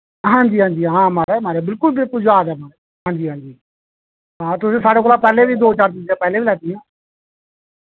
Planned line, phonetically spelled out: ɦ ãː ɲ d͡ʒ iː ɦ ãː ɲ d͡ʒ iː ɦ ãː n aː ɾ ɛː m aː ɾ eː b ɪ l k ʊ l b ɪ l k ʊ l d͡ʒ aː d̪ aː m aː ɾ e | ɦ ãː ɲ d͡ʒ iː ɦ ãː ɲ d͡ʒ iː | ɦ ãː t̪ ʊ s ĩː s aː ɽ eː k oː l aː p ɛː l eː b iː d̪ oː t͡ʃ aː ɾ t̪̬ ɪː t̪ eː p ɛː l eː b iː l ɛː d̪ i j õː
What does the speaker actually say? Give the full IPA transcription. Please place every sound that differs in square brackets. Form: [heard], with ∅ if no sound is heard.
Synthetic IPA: ɦ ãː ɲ d͡ʒ iː ɦ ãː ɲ d͡ʒ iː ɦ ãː [m] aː ɾ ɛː m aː ɾ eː b ɪ l k ʊ l b ɪ l k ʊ l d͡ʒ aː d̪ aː m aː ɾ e | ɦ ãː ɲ d͡ʒ iː ɦ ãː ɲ d͡ʒ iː | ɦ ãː t̪ ʊ s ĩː s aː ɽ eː k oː l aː p ɛː l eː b iː d̪ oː t͡ʃ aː ɾ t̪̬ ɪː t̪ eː p ɛː l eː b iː l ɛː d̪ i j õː